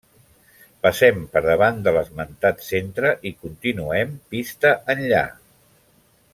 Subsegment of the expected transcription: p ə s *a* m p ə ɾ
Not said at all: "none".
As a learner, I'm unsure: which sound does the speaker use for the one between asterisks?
ɛ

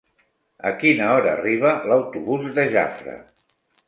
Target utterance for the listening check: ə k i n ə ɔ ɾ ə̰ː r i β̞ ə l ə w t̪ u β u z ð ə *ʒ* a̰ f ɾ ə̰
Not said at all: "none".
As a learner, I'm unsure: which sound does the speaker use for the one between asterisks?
ʒ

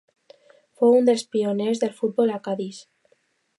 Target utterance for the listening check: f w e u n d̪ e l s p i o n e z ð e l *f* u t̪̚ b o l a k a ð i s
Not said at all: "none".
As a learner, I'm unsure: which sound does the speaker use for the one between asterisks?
f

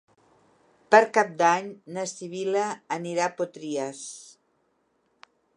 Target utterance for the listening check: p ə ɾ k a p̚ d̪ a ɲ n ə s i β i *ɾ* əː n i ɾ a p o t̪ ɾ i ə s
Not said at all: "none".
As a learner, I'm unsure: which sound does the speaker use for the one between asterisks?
l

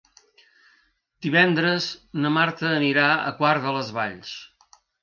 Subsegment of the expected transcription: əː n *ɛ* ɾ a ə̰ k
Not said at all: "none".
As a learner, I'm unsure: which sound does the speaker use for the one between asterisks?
i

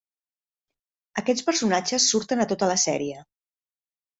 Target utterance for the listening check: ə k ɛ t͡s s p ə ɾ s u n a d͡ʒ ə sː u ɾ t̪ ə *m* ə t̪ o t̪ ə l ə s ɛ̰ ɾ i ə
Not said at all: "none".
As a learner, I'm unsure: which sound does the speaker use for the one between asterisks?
n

